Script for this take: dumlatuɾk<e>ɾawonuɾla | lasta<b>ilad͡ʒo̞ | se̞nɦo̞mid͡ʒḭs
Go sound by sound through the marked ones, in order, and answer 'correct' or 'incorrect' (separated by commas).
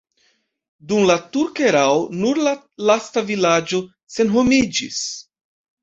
correct, incorrect